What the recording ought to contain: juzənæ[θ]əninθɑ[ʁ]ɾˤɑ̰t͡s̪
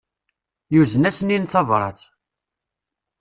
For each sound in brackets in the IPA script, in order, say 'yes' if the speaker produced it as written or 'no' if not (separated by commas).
no, no